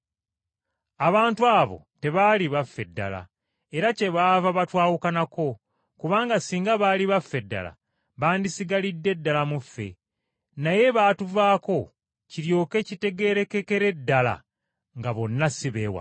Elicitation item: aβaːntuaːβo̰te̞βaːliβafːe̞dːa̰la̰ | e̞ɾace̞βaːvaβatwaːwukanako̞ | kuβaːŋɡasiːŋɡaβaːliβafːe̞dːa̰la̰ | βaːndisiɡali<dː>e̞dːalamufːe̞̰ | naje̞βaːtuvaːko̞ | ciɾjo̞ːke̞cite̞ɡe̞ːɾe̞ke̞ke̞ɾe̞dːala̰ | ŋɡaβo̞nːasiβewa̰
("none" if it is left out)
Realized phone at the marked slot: dː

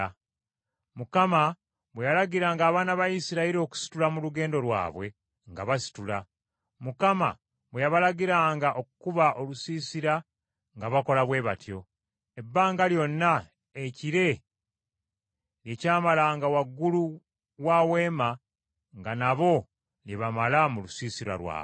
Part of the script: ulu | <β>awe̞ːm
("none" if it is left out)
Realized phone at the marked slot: w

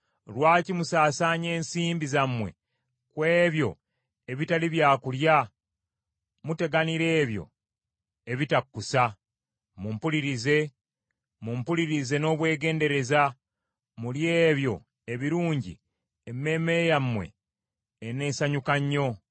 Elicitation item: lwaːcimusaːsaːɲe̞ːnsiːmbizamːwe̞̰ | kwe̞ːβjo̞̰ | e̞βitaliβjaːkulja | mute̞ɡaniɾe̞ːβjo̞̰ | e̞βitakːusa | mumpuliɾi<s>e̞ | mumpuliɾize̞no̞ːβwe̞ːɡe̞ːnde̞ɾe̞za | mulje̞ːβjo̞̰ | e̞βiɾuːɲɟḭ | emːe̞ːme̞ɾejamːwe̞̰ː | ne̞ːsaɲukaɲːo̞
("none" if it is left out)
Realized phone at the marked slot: z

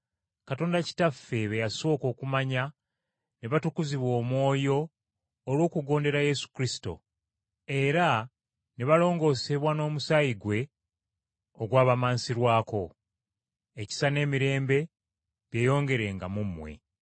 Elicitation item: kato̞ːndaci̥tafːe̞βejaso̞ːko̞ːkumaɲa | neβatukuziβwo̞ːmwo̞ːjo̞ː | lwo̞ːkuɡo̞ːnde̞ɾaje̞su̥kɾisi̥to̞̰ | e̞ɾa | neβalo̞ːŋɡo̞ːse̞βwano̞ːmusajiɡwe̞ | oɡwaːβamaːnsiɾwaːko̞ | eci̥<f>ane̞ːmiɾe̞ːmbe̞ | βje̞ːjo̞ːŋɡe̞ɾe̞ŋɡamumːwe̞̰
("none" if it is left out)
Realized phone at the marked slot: s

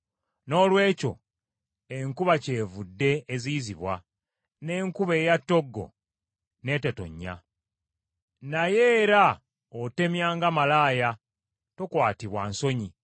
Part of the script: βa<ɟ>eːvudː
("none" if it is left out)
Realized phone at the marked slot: c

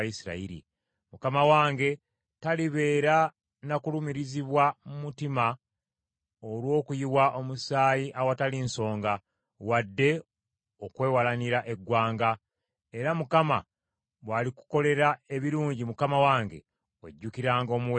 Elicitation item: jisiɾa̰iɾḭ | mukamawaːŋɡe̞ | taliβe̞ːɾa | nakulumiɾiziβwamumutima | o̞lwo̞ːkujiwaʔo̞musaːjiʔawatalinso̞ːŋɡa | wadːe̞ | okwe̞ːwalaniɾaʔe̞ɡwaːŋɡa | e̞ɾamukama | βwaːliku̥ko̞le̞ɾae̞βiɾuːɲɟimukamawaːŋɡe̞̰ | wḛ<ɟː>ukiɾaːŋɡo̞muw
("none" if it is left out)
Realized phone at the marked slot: ɟː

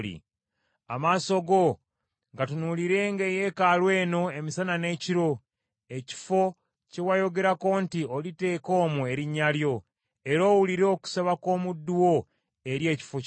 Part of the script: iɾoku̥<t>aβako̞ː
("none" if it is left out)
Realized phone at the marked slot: s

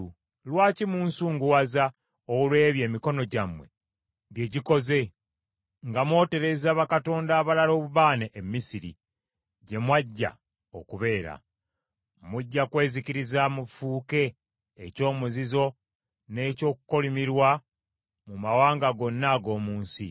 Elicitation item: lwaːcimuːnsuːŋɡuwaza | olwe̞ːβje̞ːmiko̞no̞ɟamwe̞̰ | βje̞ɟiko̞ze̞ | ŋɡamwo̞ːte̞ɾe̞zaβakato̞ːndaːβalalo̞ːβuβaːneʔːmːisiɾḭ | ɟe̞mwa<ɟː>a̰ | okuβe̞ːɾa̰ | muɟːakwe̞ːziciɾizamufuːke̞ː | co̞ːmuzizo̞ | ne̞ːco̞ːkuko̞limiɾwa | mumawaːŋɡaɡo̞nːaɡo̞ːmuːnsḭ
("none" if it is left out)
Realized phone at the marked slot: ɟː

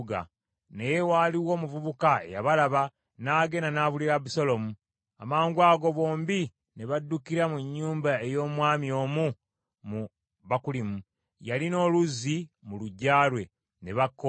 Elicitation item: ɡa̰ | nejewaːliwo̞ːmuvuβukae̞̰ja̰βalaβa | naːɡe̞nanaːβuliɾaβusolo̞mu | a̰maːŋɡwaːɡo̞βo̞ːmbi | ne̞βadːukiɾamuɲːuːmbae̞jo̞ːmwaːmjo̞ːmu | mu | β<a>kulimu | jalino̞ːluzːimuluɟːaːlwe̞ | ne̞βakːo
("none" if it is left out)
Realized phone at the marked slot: a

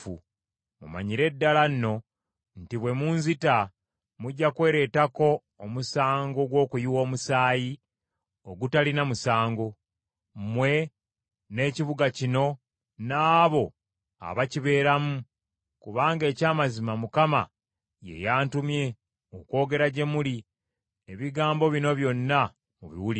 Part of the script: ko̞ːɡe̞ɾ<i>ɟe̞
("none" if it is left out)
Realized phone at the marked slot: a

